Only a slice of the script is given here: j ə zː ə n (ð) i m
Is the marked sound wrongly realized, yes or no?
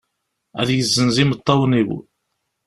yes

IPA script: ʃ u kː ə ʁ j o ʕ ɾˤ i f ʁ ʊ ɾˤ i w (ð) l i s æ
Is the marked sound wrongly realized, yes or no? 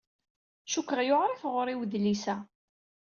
no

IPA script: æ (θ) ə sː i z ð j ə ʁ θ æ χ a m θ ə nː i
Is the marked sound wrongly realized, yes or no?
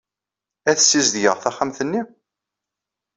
no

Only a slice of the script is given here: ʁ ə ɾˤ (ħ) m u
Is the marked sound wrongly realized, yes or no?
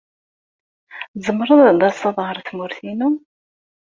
yes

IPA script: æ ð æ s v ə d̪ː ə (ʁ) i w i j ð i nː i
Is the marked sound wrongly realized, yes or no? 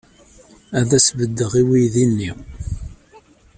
no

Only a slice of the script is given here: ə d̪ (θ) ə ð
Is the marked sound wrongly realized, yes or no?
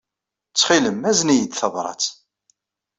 no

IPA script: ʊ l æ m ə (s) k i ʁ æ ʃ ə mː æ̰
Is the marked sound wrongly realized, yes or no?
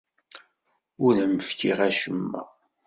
yes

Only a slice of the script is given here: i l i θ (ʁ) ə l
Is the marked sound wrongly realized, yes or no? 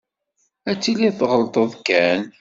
no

